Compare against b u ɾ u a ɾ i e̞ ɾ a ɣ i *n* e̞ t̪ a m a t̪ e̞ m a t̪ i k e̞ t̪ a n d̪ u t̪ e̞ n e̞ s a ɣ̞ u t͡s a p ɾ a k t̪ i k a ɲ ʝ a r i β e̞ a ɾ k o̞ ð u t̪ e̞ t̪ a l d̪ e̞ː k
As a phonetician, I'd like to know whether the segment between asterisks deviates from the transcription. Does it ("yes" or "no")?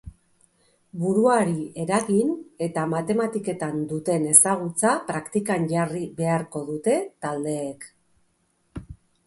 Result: no